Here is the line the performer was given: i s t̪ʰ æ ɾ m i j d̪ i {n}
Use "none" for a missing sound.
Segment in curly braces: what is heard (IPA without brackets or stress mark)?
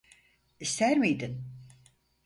n